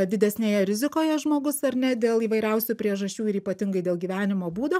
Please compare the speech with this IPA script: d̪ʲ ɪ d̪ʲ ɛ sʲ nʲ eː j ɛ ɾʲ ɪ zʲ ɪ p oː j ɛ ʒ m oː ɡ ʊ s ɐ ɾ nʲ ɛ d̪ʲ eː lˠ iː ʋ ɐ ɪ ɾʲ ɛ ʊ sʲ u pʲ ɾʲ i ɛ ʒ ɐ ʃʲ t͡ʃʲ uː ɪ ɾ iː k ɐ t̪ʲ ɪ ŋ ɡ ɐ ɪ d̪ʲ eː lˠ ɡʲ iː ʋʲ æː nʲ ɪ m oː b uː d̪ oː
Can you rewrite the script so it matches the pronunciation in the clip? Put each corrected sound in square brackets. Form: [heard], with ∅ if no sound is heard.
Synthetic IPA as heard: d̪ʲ ɪ d̪ʲ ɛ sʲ nʲ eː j ɛ ɾʲ ɪ zʲ ɪ [k] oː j ɛ ʒ m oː ɡ ʊ s ɐ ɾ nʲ ɛ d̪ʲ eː lˠ iː ʋ ɐ ɪ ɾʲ ɛ ʊ sʲ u pʲ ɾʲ i ɛ ʒ ɐ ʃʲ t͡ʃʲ uː ɪ ɾ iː [p] ɐ t̪ʲ ɪ ŋ ɡ ɐ ɪ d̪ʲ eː lˠ ɡʲ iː ʋʲ æː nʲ ɪ m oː b uː d̪ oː